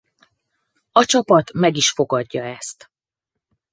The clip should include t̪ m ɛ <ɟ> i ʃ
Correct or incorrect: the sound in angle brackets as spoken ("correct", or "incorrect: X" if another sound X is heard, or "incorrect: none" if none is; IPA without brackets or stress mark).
incorrect: ɡ